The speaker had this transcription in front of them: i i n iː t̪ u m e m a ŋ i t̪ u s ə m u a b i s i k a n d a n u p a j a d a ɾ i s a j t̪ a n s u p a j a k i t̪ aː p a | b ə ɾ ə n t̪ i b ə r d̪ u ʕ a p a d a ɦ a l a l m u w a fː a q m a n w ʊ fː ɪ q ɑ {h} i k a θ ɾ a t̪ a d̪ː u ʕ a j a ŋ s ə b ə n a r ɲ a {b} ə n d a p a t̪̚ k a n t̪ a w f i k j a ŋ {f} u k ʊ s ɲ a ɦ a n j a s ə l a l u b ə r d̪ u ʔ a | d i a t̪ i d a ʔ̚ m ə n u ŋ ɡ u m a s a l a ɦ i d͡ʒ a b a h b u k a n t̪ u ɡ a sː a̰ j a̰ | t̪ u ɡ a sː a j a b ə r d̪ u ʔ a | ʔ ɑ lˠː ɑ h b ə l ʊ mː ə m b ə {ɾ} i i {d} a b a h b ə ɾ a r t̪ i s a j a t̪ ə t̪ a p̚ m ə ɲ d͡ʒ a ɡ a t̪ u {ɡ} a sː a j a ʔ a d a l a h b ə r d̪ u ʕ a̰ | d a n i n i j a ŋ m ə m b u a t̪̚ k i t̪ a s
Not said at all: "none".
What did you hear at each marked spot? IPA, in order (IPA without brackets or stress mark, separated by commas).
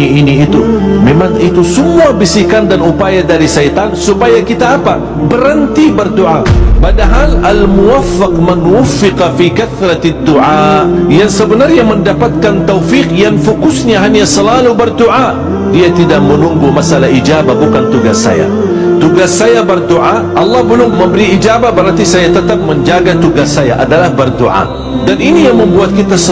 f, m, f, ɾ, d͡ʒ, ɡ